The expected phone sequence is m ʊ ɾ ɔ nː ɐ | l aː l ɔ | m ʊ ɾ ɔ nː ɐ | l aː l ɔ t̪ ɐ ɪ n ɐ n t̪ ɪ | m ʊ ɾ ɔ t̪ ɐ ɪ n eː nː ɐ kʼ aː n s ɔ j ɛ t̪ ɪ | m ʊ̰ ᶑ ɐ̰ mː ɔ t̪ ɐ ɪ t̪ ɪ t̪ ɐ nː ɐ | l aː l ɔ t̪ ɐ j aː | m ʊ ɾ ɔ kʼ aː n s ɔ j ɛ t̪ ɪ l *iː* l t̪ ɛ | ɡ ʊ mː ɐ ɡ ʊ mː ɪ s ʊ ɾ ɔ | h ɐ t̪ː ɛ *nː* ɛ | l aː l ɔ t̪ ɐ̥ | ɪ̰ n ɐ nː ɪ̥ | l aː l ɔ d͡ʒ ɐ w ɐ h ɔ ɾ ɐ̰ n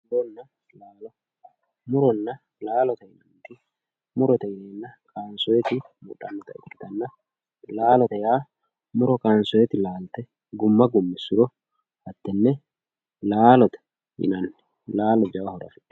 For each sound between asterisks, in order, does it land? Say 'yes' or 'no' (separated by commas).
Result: no, yes